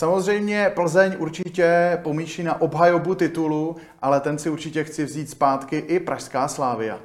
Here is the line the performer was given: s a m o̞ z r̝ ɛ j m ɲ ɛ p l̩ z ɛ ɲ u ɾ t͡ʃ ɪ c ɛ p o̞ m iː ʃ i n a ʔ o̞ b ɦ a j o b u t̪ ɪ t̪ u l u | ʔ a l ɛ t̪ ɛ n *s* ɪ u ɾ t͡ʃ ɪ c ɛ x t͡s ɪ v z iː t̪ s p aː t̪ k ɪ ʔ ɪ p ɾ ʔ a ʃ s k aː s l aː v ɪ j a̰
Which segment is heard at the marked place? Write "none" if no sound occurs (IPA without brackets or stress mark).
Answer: s